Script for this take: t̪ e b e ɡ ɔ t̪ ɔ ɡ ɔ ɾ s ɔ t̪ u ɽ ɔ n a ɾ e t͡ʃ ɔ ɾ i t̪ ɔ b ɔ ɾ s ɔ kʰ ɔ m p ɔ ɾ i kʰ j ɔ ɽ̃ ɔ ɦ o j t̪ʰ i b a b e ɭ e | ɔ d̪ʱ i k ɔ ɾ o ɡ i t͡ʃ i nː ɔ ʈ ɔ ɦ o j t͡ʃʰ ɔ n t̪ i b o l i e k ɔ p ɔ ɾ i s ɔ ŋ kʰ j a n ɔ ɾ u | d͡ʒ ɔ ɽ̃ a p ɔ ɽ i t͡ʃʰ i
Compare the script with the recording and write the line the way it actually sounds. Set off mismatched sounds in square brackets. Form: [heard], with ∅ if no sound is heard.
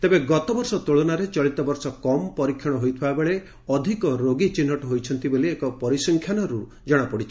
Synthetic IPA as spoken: t̪ e b e ɡ ɔ t̪ ɔ [b] ɔ ɾ s ɔ t̪ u [ɭ] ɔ n a ɾ e t͡ʃ ɔ [ɭ] i t̪ ɔ b ɔ ɾ s ɔ [k] ɔ m p ɔ ɾ i kʰ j ɔ ɽ̃ ɔ ɦ o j t̪ʰ i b a b e ɭ e | ɔ d̪ʱ i k ɔ ɾ o ɡ i t͡ʃ i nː ɔ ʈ ɔ ɦ o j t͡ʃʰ ɔ n t̪ i b o l i e k ɔ p ɔ ɾ i s ɔ ŋ kʰ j a n ɔ ɾ u | d͡ʒ ɔ ɽ̃ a p ɔ ɽ i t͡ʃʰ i